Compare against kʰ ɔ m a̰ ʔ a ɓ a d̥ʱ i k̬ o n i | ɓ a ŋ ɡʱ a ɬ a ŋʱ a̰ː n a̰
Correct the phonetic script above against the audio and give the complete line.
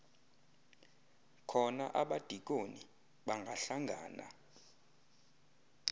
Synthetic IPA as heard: kʰ ɔ n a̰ ʔ a ɓ a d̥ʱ i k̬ o n i | ɓ a ŋ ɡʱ a ɬ a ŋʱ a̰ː n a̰